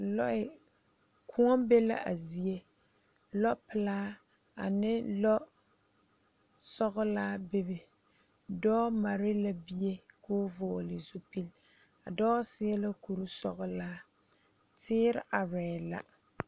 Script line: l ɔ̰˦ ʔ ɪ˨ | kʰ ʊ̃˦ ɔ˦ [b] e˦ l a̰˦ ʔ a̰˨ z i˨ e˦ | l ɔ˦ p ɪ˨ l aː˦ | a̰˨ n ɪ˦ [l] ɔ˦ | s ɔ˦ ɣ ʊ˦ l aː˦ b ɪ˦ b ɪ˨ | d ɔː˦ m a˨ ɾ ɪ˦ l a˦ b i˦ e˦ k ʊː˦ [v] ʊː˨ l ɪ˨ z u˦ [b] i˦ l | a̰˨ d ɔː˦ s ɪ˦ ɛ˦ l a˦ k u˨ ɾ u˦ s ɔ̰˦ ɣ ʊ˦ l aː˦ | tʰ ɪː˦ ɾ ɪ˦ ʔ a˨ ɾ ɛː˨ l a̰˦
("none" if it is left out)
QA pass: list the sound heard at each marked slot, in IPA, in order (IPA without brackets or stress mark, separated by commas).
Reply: b, l, v, p